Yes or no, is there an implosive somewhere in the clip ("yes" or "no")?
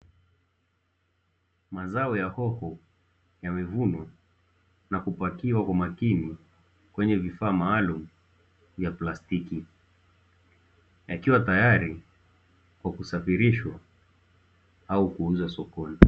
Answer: no